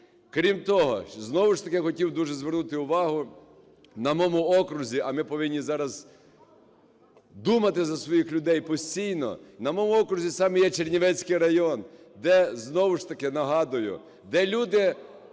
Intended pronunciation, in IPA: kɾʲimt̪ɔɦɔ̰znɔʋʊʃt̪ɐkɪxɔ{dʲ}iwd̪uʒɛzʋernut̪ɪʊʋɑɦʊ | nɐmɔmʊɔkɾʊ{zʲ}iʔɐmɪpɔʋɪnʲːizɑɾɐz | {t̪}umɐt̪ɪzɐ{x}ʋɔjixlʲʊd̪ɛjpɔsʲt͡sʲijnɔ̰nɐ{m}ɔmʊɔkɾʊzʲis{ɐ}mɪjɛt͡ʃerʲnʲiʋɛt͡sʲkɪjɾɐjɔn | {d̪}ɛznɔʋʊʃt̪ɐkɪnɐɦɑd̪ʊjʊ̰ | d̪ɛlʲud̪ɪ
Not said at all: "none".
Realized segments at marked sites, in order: tʲ, zʲ, d̪, s, m, ɑ, d̪

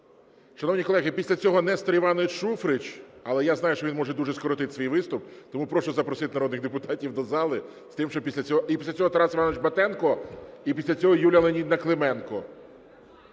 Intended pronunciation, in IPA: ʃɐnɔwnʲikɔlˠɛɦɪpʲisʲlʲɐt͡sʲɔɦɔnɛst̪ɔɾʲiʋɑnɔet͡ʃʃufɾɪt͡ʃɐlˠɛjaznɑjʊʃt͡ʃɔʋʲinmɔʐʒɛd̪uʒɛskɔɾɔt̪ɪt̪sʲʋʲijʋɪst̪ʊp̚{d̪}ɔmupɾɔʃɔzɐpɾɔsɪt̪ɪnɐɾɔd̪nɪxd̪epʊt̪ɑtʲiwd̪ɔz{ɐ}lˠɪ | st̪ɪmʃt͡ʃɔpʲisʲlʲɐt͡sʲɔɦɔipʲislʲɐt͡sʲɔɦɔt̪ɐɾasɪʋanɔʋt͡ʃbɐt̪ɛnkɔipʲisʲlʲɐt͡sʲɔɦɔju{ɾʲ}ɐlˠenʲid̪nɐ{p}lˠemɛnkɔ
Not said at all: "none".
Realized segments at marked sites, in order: t̪, ɑ, lʲ, k

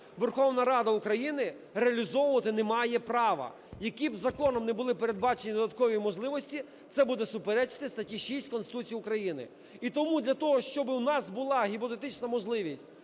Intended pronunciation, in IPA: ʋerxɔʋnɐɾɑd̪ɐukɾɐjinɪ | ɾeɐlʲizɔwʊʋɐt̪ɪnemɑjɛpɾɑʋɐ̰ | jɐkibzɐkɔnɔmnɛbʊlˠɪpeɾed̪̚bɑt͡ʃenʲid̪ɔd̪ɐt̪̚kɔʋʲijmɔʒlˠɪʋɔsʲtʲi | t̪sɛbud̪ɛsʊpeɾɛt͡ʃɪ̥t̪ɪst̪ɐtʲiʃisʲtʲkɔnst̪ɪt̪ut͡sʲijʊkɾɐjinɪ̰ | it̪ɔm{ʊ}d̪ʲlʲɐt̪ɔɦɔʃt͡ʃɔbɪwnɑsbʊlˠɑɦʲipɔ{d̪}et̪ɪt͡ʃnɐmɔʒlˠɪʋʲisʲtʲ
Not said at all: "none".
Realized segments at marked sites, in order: u, t̪

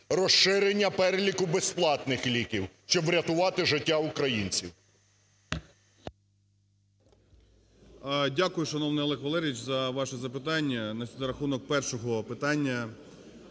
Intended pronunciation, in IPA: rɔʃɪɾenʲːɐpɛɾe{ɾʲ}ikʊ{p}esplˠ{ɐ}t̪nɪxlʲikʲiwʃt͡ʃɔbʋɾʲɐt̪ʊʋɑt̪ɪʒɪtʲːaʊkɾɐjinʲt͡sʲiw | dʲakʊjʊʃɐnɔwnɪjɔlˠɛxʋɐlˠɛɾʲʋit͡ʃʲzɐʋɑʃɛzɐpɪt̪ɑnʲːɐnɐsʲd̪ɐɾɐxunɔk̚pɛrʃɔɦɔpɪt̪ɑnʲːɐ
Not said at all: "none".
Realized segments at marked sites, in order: lʲ, b, ɑ

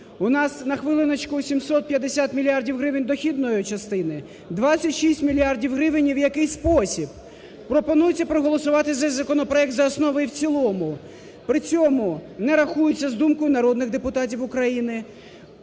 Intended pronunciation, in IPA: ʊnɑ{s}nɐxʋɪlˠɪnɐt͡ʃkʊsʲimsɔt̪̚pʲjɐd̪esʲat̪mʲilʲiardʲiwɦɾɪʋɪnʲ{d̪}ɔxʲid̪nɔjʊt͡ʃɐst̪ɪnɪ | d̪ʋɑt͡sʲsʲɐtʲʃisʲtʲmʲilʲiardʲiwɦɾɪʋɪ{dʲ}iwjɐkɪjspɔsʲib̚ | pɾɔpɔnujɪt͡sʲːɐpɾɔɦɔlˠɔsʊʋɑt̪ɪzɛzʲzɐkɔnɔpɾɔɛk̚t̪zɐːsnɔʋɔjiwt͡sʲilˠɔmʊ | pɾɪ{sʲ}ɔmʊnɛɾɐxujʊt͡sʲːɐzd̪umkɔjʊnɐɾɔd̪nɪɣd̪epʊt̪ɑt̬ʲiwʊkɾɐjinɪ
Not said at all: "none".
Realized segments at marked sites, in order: s, d̪, nʲ, t͡sʲ

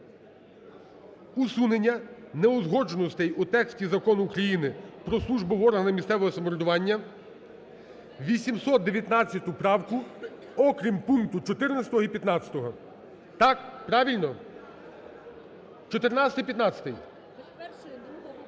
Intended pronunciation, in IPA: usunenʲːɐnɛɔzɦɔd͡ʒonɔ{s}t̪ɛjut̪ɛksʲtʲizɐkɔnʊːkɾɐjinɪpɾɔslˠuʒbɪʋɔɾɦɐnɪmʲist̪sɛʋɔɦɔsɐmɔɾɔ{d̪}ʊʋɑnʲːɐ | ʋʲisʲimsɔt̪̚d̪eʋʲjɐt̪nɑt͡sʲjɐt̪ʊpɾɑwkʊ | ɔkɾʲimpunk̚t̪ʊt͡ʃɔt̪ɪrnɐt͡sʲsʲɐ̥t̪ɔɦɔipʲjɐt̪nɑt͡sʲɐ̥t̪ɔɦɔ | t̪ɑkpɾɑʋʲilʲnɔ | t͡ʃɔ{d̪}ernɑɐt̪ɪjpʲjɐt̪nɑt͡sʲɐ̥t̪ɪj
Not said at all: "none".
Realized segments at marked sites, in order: s, d̪, t̪

